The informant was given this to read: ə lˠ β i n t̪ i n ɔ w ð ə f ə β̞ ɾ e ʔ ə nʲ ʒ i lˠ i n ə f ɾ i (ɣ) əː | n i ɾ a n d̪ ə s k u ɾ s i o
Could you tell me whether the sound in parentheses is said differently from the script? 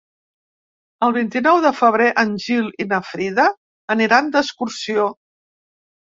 yes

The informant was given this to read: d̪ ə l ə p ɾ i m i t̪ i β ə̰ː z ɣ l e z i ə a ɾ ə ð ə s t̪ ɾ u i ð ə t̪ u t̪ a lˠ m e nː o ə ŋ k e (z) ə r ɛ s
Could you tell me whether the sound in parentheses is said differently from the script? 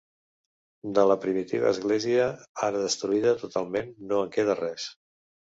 yes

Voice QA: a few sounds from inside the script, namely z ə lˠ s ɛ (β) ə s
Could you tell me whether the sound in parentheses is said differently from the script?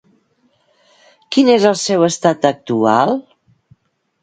yes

